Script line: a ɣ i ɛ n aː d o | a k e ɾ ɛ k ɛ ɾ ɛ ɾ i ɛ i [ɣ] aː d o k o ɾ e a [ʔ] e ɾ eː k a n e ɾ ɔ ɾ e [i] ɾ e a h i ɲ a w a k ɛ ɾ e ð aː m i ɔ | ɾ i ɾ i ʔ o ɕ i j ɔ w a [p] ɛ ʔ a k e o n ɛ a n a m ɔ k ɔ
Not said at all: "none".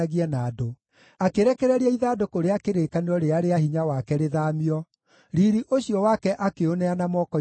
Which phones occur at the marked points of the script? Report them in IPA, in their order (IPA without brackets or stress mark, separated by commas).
ð, k, a, k